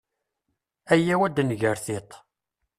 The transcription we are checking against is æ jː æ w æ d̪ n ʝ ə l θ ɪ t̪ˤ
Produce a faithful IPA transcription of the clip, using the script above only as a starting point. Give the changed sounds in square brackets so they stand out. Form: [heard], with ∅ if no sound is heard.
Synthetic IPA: æ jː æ w æ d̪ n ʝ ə [ɾ] θ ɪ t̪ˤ